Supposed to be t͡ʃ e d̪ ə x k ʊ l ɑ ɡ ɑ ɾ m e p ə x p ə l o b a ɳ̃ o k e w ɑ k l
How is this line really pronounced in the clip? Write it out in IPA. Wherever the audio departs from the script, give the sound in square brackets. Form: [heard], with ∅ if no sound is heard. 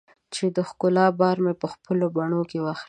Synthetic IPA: t͡ʃ e d̪ ə x k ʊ l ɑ [b] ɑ ɾ m e p ə x p ə l o b a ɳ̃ o k e w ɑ [x] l